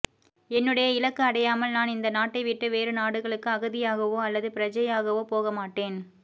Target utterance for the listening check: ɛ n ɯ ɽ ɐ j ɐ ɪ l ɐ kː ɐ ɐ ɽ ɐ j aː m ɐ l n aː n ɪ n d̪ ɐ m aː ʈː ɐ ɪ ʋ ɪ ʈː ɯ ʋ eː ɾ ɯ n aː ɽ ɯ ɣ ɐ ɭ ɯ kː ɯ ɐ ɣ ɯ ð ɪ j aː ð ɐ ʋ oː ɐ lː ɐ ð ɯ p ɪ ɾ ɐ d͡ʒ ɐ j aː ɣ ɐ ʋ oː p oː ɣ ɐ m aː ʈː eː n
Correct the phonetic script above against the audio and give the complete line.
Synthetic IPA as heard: ɛ nː ɯ ɽ ɐ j ɐ ɪ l ɐ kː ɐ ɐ ɽ ɐ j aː m ɐ l n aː n ɪ n d̪ ɐ n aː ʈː ɐ ɪ ʋ ɪ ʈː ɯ ʋ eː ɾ ɯ n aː ɽ ɯ ɣ ɐ ɭ ɯ kː ɯ ɐ ɣ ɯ ð ɪ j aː ɣ ɐ ʋ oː ɐ lː ɐ ð ɯ p ɪ ɾ ɐ d͡ʒ ɐ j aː ɣ ɐ ʋ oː p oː ɣ ɐ m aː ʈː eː n

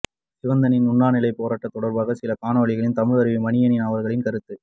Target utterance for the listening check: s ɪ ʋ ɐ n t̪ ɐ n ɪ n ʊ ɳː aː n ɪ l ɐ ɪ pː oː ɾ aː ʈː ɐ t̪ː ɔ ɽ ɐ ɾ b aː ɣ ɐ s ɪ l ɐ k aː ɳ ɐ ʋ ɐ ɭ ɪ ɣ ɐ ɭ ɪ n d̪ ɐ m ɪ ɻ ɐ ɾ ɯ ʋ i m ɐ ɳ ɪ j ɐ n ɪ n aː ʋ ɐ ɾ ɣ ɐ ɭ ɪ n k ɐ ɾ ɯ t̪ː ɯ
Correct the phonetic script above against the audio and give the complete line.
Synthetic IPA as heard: s ɪ ʋ ɐ n d̪ ɐ n ɪ n ʊ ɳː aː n ɪ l ɐ ɪ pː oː ɾ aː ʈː ɐ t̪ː ɔ ɽ ɐ ɾ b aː ɣ ɐ s ɪ l ɐ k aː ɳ ɐ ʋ ɐ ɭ ɪ ɣ ɐ ɭ ɪ n t̪ ɐ m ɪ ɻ ɐ ɾ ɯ ʋ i m ɐ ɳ ɪ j ɐ n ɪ n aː ʋ ɐ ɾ ɣ ɐ ɭ ɪ n k ɐ ɾ ɯ t̪ː ɯ

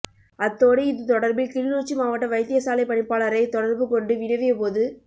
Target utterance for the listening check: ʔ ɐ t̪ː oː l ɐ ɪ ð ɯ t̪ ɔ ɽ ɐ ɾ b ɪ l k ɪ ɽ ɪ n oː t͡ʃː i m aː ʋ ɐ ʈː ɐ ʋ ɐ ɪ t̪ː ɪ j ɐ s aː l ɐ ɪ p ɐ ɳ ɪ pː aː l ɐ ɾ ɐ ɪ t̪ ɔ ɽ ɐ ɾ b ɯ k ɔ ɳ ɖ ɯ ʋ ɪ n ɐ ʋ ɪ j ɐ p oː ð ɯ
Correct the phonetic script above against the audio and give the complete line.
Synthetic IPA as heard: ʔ ɐ t̪ː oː ɽ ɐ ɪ ð ɯ t̪ ɔ ɽ ɐ ɾ b ɪ l k ɪ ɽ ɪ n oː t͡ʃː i m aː ʋ ɐ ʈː ɐ ʋ ɐ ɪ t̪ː ɪ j ɐ s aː l ɐ ɪ p ɐ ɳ ɪ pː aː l ɐ ɾ ɐ ɪ t̪ ɔ ɽ ɐ ɾ b ɯ k ɔ ɳ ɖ ɯ ʋ ɪ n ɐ ʋ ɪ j ɐ p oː ð ɯ

